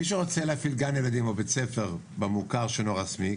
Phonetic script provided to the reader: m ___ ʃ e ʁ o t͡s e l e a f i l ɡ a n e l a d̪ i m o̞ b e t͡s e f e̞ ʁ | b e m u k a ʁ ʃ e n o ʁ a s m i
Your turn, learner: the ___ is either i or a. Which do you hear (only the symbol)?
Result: i